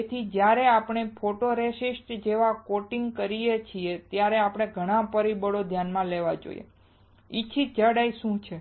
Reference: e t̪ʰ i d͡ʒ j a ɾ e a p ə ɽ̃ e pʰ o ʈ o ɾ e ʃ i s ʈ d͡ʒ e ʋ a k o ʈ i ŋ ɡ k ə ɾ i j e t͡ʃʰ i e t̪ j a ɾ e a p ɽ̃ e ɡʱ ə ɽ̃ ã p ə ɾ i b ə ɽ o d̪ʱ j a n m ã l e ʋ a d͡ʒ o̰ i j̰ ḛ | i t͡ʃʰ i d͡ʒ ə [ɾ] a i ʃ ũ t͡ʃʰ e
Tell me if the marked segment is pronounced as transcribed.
no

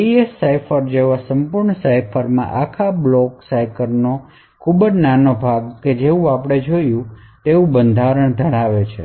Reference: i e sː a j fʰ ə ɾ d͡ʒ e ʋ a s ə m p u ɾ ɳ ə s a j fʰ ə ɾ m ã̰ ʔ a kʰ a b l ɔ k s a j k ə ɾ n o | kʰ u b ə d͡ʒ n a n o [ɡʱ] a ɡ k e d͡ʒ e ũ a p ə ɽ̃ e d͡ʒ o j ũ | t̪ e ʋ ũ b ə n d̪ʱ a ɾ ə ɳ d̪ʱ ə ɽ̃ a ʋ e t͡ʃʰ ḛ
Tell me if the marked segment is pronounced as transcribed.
no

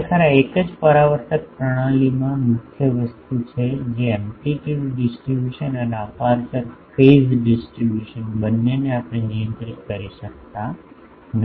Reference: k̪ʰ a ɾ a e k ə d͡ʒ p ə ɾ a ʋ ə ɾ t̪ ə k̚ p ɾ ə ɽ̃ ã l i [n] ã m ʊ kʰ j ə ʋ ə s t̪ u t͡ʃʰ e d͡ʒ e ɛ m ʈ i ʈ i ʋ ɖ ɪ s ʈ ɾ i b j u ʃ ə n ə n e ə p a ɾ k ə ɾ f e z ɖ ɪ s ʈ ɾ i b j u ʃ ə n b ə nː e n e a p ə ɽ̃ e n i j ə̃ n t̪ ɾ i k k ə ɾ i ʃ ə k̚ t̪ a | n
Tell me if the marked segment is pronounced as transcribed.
no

